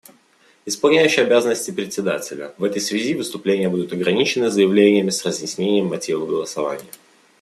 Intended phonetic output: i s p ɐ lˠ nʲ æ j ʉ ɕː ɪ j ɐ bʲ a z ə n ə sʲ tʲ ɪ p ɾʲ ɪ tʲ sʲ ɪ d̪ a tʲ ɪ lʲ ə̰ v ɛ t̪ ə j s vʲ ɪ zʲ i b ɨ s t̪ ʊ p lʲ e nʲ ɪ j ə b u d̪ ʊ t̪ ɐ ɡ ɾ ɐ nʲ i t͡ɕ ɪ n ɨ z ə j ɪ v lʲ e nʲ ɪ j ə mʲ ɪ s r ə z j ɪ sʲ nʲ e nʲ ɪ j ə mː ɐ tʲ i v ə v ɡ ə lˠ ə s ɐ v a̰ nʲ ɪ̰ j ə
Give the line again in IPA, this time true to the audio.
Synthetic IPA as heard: ɪ s p ɐ lˠ nʲ æ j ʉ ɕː ɪ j ɐ bʲ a z ə n ə sʲ tʲ ɪ p ɾʲ ɪ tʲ sʲ ɪ d̪ a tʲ ɪ lʲ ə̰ v ɛ t̪ ə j s vʲ ɪ zʲ i v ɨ s t̪ ʊ p lʲ e nʲ ɪ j ə b u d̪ ʊ t̪ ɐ ɡ ɾ ɐ nʲ i t͡ɕ ɪ n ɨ z ə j ɪ v lʲ e nʲ ɪ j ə mʲ ɪ s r ə z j ɪ sʲ nʲ e nʲ ɪ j ə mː ɐ tʲ i v ə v ɡ ə lˠ ə s ɐ v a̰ nʲ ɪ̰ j ə